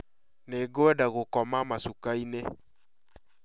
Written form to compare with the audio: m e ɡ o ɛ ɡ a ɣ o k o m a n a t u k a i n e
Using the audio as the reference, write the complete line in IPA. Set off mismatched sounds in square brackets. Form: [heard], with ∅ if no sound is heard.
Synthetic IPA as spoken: [n] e ɡ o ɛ [d] a ɣ o k [ɔ] m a [m] a [s] u k a i n e

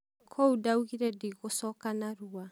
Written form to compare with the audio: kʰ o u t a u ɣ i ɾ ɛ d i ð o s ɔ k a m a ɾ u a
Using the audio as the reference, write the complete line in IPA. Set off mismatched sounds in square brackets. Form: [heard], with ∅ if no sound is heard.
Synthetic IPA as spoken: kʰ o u [d] a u ɣ i ɾ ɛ d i [ɣ] o s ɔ k a [n] a ɾ u a

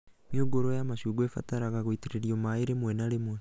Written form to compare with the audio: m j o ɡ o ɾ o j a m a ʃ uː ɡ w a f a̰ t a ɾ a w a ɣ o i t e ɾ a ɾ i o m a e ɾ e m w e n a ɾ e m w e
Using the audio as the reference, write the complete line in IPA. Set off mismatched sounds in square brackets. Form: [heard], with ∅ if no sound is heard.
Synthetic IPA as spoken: m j o ɡ o ɾ o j a m a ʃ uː ɡ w [e] f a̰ t a ɾ a [ɣ] a ɣ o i t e ɾ [e] ɾ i o m a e ɾ e m w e n a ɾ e m w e

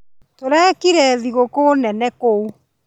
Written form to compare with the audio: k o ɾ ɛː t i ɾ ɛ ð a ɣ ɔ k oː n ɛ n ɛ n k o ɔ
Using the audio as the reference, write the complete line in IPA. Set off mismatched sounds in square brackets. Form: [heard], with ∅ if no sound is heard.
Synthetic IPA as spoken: [t] o ɾ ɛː [k] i ɾ ɛ ð [i] ɣ [o] k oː n ɛ n ɛ [∅] k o [u]

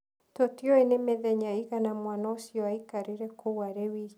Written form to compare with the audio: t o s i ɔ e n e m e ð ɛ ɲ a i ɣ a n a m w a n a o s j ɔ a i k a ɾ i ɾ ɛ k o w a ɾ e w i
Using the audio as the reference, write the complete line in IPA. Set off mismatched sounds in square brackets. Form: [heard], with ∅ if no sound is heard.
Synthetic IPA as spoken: t o [t] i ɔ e n e m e ð ɛ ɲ a i ɣ a n a m w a n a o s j ɔ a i k a ɾ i ɾ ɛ k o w a ɾ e w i

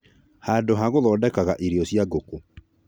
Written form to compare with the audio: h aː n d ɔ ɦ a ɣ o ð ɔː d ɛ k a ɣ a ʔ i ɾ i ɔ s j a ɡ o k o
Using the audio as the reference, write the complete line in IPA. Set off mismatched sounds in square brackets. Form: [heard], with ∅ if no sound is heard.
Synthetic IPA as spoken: h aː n d [o] ɦ a ɣ o ð ɔː d ɛ k a ɣ a ʔ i ɾ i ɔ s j a ɡ o k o

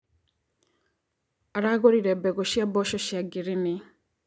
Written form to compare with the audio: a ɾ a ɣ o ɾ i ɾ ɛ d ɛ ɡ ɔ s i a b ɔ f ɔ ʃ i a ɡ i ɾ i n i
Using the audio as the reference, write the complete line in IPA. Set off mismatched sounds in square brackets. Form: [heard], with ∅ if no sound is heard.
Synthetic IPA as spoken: a ɾ a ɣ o ɾ i ɾ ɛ [b] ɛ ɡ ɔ [ʃ] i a b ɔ [ʃ] ɔ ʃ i a ɡ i ɾ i n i

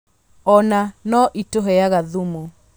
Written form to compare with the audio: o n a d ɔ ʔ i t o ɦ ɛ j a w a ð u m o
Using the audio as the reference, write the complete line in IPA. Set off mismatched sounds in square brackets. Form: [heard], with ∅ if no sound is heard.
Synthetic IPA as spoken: [ɔ] n a [n] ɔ ʔ i t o ɦ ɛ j a [ɣ] a ð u m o

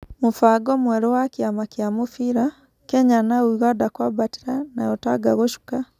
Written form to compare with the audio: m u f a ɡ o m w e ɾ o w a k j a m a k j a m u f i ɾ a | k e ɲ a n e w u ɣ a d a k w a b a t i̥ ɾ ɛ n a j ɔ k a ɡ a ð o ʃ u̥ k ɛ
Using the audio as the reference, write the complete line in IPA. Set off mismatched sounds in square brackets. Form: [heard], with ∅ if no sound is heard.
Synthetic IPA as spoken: m u f a ɡ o m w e ɾ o w a k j a m a k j a m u f i ɾ a | k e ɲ a n [a] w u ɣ a d a k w a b a t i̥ ɾ [a] n a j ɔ [t] a ɡ a [ɣ] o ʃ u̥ k [a]

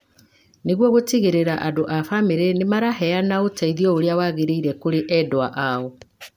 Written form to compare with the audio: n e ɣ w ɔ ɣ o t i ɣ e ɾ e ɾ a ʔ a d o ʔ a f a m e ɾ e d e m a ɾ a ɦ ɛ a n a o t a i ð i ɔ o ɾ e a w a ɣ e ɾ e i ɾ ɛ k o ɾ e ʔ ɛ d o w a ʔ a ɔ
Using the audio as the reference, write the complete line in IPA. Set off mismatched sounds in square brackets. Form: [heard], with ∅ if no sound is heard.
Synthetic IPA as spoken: n e ɣ w ɔ ɣ o t i ɣ e ɾ e ɾ a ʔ a d o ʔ a f a m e ɾ e [n] e m a ɾ a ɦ ɛ a n a o t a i ð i ɔ o ɾ e a w a ɣ e ɾ e i ɾ ɛ k o ɾ e ʔ ɛ d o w a ʔ a ɔ

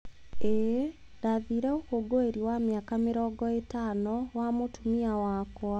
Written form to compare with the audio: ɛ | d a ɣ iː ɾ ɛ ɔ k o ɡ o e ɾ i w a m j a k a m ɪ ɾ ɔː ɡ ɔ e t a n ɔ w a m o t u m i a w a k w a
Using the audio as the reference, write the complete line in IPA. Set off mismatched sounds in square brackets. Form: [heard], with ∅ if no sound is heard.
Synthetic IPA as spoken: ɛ | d a [ð] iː ɾ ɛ [o] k o ɡ o e ɾ i w a m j a k a m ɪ ɾ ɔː ɡ ɔ e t a n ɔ w a m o t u m i a w a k w a

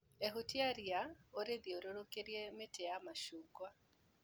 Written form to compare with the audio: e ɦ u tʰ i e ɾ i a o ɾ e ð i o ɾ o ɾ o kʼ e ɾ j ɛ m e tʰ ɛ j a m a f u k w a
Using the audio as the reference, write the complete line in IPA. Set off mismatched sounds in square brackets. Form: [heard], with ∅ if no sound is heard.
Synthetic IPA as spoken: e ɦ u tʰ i [a] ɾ i a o ɾ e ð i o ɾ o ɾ o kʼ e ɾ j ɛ m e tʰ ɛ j a m a [ʃ] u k w a

